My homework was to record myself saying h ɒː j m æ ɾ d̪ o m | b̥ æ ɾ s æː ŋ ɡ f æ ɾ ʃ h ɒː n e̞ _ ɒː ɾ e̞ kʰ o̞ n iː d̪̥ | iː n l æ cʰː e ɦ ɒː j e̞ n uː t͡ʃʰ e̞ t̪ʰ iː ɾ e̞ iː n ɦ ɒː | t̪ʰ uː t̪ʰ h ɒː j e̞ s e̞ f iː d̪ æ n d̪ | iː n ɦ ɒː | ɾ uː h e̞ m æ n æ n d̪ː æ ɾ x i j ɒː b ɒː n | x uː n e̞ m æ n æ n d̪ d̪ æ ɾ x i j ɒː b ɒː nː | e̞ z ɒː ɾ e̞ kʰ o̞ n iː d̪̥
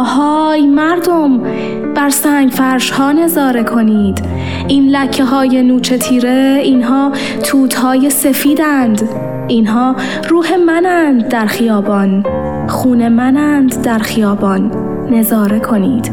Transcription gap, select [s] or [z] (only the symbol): z